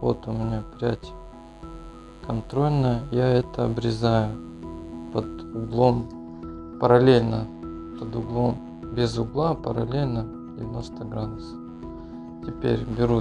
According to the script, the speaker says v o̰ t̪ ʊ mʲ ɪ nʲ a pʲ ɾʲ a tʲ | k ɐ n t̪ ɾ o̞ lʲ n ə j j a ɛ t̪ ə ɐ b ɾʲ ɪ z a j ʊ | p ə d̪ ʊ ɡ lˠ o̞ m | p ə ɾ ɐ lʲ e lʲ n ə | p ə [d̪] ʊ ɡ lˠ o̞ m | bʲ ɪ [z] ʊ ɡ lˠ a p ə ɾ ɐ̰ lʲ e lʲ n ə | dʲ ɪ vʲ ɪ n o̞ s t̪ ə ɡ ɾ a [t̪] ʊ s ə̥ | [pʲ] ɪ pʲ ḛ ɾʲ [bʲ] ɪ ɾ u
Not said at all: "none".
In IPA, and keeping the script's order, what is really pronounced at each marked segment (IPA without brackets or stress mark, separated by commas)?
d̪, z, d̪, tʲ, bʲ